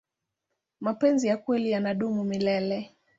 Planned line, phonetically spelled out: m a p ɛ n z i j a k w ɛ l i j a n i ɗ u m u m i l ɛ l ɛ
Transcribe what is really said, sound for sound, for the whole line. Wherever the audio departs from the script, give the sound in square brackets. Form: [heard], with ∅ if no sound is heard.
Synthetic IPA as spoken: m a p ɛ n z i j a k w ɛ l i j a n [a] ɗ u m u m i l ɛ l ɛ